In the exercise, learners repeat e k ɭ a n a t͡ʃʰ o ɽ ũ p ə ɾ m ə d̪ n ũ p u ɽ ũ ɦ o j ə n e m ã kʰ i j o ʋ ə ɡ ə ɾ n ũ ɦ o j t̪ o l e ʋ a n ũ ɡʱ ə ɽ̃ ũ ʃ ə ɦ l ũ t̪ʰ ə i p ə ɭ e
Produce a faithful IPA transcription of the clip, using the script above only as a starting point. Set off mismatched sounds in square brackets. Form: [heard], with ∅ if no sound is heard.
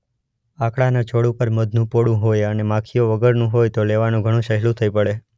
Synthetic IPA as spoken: [a] k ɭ a n a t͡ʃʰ o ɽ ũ p ə ɾ m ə d̪ n ũ p [o] ɽ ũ ɦ o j ə n e m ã kʰ i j o ʋ ə ɡ ə ɾ n ũ ɦ o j t̪ o l e ʋ a n ũ ɡʱ ə ɽ̃ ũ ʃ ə ɦ l ũ t̪ʰ ə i p ə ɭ e